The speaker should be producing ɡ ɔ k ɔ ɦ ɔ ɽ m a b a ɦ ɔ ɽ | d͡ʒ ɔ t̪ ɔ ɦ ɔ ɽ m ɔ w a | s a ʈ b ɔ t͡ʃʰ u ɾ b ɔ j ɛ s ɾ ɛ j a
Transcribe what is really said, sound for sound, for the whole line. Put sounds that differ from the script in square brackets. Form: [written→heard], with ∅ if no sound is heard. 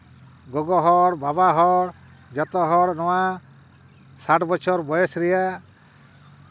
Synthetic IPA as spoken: ɡ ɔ [k→ɡ] ɔ ɦ ɔ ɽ [m→b] a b a ɦ ɔ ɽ | d͡ʒ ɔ t̪ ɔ ɦ ɔ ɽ [m→n] ɔ w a | s a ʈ b ɔ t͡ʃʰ [u→ɔ] ɾ b ɔ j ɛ s ɾ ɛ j a

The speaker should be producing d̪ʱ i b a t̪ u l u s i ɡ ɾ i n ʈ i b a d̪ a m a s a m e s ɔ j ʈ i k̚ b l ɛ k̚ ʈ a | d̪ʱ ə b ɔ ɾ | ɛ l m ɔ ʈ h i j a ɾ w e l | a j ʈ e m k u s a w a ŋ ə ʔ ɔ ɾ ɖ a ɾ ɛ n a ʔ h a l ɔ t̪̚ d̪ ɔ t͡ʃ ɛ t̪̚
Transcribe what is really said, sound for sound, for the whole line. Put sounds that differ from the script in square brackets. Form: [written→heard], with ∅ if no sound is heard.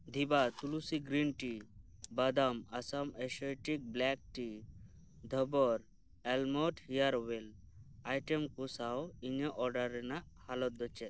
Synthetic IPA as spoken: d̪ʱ i b a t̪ u l u s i ɡ ɾ i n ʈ i b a d̪ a m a s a m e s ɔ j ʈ i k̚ b l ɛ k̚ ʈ [a→i] | d̪ʱ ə b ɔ ɾ | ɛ l m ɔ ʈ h i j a ɾ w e l | a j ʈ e m k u s a w [a→i] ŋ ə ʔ ɔ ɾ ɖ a ɾ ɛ n a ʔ h a l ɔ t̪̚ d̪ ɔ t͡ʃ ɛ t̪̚

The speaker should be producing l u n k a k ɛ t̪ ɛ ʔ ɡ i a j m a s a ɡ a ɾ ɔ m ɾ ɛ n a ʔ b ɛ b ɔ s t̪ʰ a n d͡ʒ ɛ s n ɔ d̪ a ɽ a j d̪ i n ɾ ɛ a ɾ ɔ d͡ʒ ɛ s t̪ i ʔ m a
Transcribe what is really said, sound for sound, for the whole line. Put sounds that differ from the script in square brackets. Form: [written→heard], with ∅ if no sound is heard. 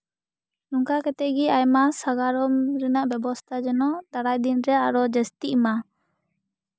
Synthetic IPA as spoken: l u [n→ŋ] k a k ɛ t̪ ɛ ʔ ɡ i a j m a s a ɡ a ɾ ɔ m ɾ ɛ n a ʔ b ɛ b ɔ s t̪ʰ a [n→∅] d͡ʒ ɛ [s→∅] n ɔ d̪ a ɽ a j d̪ i n ɾ ɛ a ɾ ɔ d͡ʒ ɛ s t̪ i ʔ m a

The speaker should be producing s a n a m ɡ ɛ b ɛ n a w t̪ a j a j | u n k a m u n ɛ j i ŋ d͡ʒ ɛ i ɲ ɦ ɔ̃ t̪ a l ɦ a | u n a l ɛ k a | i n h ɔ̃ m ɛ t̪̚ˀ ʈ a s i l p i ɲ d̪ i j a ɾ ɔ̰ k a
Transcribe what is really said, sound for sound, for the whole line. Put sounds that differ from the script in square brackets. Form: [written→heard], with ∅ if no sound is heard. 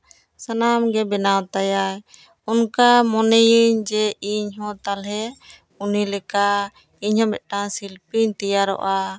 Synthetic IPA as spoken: s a n a m ɡ ɛ b ɛ n a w t̪ a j a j | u n k a m [u→ɔ] n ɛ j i [ŋ→ɲ] d͡ʒ ɛ i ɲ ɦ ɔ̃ t̪ a l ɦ [a→ɛ] | u n [a→i] l ɛ k a | i [n→ɲ] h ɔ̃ m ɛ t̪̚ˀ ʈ a s i l p i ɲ [d̪→t̪] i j a ɾ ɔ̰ [k→ʔ] a

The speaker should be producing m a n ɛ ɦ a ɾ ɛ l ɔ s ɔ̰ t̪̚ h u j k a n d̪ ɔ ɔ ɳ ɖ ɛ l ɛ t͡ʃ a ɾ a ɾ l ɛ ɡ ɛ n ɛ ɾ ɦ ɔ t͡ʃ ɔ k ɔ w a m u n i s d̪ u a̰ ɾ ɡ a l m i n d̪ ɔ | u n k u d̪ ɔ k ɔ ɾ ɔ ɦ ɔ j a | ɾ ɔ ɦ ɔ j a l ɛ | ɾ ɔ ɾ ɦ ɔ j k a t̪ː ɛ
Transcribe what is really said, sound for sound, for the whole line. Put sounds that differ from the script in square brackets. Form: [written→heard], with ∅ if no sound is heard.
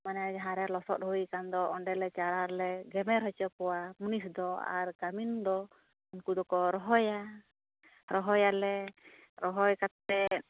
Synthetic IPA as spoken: m a n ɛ ɦ a ɾ ɛ l ɔ s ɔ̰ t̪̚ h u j k a n d̪ ɔ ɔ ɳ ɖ ɛ l ɛ t͡ʃ a ɾ a ɾ l ɛ ɡ ɛ [n→m] ɛ ɾ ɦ ɔ t͡ʃ ɔ k ɔ w a m u n i s d̪ [u→ɔ] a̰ ɾ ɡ a [l→∅] m i n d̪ ɔ | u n k u d̪ ɔ k ɔ ɾ ɔ ɦ ɔ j a | ɾ ɔ ɦ ɔ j a l ɛ | ɾ ɔ [ɾ→∅] ɦ ɔ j k a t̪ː ɛ

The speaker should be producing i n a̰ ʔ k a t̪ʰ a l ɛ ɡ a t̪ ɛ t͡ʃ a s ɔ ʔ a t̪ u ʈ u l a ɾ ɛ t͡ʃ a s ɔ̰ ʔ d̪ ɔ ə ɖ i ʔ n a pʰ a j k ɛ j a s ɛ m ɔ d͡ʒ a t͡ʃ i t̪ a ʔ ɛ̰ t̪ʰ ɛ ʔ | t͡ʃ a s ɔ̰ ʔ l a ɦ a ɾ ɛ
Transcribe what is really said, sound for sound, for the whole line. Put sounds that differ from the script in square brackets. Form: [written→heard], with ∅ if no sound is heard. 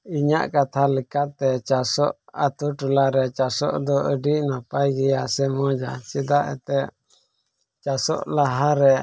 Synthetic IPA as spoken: i [n→ɲ] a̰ ʔ k a t̪ʰ a l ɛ [ɡ→k] a t̪ ɛ t͡ʃ a s ɔ ʔ a t̪ u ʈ u l a ɾ ɛ t͡ʃ a s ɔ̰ ʔ d̪ ɔ ə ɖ i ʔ n a [pʰ→p] a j [k→ɡ] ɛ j a s ɛ m ɔ d͡ʒ a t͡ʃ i [t̪→d̪] a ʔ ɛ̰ [t̪ʰ→t̪] ɛ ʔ | t͡ʃ a s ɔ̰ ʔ l a ɦ a ɾ ɛ

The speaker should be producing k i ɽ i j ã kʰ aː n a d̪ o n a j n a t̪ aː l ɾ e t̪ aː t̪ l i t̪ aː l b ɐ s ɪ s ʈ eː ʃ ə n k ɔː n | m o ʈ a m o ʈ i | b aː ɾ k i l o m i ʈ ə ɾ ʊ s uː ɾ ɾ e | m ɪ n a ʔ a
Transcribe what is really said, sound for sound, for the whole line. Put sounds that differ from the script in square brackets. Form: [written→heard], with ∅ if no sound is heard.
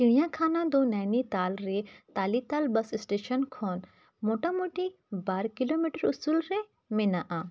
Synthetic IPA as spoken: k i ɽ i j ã kʰ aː n a d̪ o n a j n [a→i] t̪ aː l ɾ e t̪ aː [t̪→∅] l i t̪ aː l b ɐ s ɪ s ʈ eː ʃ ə n [k→kʰ] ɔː n | m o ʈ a m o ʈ i | b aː ɾ k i l o m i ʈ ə ɾ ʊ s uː [ɾ→l] ɾ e | m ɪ n a ʔ a

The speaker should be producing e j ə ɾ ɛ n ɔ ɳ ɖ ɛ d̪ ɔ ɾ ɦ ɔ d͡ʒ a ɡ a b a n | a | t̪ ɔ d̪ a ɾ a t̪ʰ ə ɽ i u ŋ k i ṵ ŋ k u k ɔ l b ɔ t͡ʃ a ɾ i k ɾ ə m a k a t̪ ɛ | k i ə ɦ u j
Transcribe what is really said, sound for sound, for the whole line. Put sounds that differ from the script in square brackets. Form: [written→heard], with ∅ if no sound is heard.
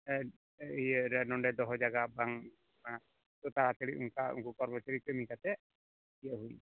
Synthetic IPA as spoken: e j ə ɾ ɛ n ɔ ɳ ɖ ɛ d̪ ɔ [ɾ→∅] ɦ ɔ d͡ʒ a ɡ a b a [n→ŋ] | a | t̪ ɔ [d̪→t̪] a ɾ a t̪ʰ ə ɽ i u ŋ k [i→a] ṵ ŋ k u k ɔ [l→ɾ] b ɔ t͡ʃ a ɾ i k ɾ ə m [a→i] k a t̪ ɛ | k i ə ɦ u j

